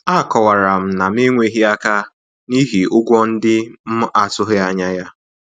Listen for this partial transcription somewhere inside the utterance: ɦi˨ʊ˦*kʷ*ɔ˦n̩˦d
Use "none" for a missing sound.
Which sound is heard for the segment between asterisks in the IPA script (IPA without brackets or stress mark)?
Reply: ɡʷ